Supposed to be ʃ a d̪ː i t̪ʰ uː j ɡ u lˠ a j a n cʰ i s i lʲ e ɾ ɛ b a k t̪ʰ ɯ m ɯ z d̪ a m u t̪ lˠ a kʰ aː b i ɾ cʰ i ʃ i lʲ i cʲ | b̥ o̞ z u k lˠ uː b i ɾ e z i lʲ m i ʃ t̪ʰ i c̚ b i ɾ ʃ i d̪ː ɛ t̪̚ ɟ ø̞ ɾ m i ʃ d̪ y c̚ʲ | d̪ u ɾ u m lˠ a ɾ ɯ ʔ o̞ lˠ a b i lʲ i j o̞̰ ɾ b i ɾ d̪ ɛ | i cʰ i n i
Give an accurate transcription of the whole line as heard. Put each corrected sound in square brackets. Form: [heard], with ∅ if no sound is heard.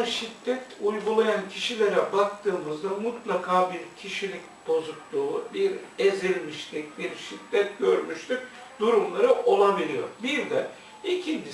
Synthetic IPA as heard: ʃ [i] d̪ː [ɛ] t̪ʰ [u] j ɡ u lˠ a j a n cʰ i [ʃ] i lʲ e ɾ ɛ b a k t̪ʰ [ɯː] m ɯ z d̪ a m u t̪ lˠ a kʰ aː b i ɾ cʰ i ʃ i lʲ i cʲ | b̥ o̞ z u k lˠ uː b i ɾ e z i lʲ m i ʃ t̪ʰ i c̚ b i ɾ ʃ i d̪ː ɛ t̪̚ ɟ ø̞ ɾ m [y] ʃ [t̪] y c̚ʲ | d̪ u ɾ u m lˠ a ɾ ɯ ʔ o̞ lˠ a b i lʲ i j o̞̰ ɾ b i ɾ d̪ ɛ | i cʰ i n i